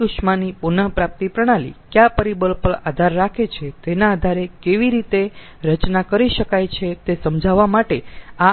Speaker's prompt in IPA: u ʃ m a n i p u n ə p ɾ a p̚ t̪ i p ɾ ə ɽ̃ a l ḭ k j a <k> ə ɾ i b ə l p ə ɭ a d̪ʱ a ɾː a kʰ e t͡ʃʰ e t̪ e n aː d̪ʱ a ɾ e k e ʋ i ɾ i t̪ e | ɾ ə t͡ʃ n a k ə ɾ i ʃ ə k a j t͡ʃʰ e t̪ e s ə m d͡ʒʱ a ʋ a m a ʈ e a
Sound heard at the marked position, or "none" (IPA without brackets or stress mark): p